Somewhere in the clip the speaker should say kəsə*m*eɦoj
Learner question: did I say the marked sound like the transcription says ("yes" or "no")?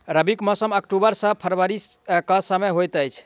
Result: yes